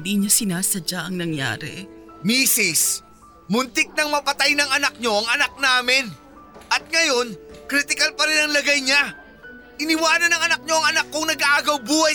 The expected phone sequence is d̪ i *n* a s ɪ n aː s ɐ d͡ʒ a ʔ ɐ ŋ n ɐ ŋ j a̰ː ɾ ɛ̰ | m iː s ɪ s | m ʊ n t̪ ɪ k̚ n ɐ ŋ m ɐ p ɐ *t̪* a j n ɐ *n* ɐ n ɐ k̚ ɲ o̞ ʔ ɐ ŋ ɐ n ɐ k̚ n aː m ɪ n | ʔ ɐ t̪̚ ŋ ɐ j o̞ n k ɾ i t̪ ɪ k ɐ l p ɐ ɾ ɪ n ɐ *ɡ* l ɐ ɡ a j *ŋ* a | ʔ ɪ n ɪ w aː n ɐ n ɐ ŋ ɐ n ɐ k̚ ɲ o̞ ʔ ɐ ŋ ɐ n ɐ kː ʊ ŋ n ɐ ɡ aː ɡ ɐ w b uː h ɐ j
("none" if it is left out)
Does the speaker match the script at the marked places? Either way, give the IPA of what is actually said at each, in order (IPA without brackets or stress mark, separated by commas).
ɲ, t̪, ŋ, ŋ, ɲ